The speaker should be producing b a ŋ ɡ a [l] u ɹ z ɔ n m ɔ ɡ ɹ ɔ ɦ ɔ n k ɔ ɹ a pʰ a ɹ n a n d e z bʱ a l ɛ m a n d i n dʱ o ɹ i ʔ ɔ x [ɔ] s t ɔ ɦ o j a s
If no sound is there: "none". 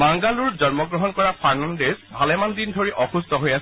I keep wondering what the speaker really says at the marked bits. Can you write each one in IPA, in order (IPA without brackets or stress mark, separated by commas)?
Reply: l, u